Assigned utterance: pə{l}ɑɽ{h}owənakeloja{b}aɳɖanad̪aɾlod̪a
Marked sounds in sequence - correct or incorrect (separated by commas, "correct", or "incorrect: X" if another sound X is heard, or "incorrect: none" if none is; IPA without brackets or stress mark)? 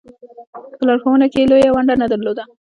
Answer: correct, incorrect: x, incorrect: w